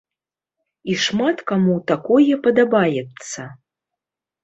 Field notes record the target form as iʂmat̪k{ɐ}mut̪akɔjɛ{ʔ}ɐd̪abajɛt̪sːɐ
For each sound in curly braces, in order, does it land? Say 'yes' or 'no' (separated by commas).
no, no